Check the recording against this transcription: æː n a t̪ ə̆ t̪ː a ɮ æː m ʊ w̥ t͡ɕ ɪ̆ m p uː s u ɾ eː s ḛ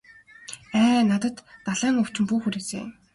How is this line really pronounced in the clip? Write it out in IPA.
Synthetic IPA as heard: æː n a t̪ ə̆ t̪ː a ɮ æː ŋ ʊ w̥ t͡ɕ ɪ̆ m p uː x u ɾ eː s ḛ